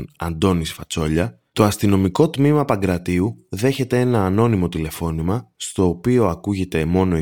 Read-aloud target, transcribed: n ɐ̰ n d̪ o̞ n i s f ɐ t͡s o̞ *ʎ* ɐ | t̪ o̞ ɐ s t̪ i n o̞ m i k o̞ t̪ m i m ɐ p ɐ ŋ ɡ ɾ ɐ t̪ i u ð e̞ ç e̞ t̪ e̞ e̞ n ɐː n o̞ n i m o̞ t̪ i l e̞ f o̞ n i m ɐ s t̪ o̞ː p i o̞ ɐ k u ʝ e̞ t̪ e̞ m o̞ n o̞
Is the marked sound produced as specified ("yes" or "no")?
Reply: yes